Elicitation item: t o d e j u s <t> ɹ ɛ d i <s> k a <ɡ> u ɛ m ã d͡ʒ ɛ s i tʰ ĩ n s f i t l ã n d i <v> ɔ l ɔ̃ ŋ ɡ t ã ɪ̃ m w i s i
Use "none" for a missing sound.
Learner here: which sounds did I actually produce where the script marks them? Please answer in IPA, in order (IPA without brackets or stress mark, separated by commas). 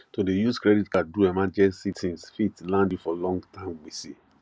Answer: k, t, d, f